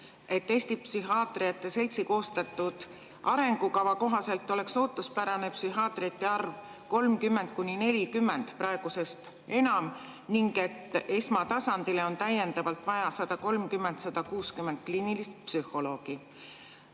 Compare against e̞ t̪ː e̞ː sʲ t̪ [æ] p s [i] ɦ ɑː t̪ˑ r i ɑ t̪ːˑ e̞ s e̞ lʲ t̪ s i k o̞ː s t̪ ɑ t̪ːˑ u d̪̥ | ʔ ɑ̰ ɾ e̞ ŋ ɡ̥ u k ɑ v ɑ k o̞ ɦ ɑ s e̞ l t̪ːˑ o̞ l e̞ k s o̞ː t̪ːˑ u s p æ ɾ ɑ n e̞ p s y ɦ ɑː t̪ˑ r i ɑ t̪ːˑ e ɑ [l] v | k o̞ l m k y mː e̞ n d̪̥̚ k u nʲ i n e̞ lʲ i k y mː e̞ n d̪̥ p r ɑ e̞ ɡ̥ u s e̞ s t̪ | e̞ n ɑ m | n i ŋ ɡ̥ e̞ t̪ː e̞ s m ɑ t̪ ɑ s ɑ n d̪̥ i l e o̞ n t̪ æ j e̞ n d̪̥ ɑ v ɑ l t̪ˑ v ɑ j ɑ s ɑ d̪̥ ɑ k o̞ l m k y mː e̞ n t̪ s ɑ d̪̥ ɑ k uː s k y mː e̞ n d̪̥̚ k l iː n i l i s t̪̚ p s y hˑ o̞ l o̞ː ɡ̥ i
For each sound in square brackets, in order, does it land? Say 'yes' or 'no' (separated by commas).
no, no, no